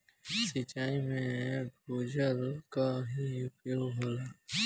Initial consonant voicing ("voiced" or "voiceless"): voiceless